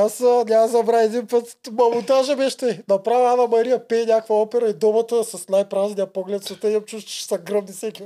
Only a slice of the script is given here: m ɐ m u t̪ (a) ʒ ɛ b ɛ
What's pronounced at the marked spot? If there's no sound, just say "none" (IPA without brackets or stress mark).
a